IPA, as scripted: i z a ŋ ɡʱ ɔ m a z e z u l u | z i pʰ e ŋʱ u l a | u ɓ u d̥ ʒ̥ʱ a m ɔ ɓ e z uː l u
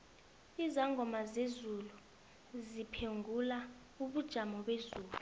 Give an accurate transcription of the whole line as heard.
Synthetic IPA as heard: i z a ŋ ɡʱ ɔ m a z e z u l u | z i pʰ e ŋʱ u l a | u ɓ u d̥ ʒ̥ʱ a m ɔ ɓ e z uː l u

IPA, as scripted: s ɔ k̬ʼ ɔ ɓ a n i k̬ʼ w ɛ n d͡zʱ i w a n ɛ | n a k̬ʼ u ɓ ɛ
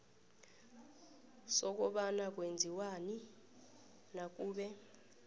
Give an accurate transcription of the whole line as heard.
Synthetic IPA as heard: s ɔ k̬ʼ ɔ ɓ a n a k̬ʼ w e n d͡zʱ i w a n i | n a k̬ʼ uː ɓ ɛ

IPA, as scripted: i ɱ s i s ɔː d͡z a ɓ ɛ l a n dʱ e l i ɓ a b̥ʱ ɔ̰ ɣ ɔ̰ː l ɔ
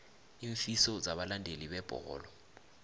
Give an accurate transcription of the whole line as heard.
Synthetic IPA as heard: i ɱ f i s ɔ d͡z a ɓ a l a n dʱ e l i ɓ ɛ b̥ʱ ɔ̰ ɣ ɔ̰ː l ɔ

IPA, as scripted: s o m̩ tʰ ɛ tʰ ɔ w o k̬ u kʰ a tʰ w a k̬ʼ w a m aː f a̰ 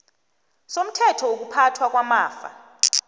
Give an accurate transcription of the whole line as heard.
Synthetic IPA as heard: s o m̩ tʰ ɛ tʰ ɔ w o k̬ u pʰ a tʰ w a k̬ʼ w a m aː f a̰

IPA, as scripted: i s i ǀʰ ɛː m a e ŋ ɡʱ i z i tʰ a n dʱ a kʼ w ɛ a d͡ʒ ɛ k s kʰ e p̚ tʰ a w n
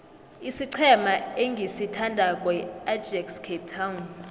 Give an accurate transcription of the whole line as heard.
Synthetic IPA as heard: i s i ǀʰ ɛ m a e ŋ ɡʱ i s i tʰ a n dʱ a kʼ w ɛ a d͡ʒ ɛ k s kʰ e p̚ tʰ a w n

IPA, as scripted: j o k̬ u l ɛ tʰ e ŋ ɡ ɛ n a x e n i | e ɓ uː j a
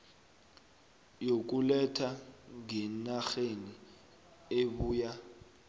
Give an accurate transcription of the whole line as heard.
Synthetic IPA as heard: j o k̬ u l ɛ tʰ a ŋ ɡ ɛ n a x e n i | e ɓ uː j a

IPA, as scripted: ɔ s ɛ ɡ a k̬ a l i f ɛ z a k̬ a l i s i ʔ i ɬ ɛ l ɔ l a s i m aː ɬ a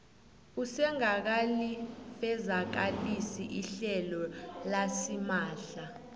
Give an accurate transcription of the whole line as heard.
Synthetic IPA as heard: u s ɛ ŋ a k̬ a l i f ɛ z a k̬ a l i s i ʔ i ɬ ɛ l ɔ l a s i m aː ɬ a

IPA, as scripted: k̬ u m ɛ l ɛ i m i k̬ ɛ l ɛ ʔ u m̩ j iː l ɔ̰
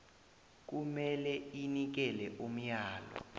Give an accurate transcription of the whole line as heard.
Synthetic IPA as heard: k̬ u m ɛ l ɛ i n i k̬ ɛ l ɛ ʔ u m̩ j aː l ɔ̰

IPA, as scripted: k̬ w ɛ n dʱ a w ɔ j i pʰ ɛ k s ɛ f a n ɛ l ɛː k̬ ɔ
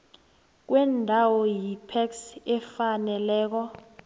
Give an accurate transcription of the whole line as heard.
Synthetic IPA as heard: k̬ w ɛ n dʱ a w ɔ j i pʰ ɛ k s ɛ f a n ɛ l ɛː k̬ ɔ

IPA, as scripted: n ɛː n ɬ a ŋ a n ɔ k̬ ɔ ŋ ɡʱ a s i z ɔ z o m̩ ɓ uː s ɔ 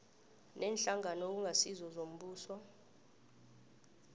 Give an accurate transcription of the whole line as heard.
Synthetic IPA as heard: n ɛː n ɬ a ŋ a n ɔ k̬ u ŋ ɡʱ a s i z ɔ z o m̩ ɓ uː s ɔ

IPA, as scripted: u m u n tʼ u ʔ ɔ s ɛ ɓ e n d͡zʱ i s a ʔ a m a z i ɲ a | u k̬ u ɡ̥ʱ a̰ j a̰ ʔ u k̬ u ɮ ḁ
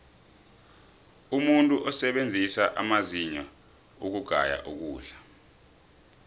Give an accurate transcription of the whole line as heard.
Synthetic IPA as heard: u m u n tʼ u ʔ ɔ s ɛ ɓ e n d͡zʱ i s a ʔ a m a z i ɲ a | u k̬ u ɡ̥ʱ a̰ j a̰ ʔ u k̬ uː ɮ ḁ

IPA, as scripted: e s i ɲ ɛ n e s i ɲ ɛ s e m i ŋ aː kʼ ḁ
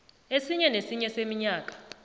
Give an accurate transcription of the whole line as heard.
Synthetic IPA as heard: e s i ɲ ɛ n e s i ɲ ɛ s e m i ɲ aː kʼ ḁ

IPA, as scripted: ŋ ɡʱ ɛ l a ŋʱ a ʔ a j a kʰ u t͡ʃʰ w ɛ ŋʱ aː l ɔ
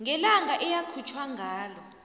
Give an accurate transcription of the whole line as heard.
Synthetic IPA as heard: ŋ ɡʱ ɛ l a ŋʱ a ʔ ɛ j a kʰ u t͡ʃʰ w a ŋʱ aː l ɔ

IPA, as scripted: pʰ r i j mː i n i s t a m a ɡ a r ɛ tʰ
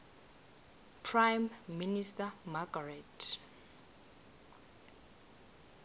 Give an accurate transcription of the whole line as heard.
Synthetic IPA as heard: pʰ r a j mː i n i s t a m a ɡ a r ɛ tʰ

